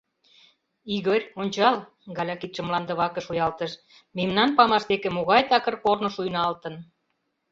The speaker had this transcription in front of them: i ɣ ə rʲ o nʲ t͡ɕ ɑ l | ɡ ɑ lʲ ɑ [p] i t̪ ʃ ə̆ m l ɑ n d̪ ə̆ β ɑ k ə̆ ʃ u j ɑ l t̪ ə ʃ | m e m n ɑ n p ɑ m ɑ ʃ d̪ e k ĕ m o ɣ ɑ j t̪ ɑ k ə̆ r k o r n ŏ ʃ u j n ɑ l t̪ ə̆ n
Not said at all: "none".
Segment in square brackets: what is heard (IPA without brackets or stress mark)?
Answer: k